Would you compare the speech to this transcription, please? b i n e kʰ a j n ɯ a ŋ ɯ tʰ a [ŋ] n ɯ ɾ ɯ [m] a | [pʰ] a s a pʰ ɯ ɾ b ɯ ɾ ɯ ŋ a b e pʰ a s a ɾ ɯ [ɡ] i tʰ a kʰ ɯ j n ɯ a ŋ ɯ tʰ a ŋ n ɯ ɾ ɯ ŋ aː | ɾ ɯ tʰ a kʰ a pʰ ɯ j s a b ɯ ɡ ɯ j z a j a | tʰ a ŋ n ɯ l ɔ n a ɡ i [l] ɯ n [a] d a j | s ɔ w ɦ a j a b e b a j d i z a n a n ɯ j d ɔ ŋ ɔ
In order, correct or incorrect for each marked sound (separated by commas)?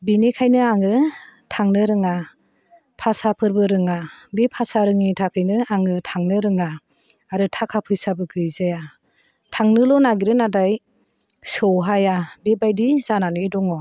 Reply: correct, incorrect, correct, incorrect, incorrect, correct